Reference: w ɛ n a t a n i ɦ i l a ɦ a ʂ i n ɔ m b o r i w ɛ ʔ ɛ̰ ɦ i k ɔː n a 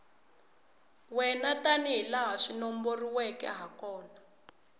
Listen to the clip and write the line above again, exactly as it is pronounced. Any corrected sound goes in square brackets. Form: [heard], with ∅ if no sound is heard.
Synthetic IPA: w ɛ n a t a n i ɦ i l a ɦ a ʂ i n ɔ m b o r i w ɛ [k] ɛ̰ ɦ [a] k ɔː n a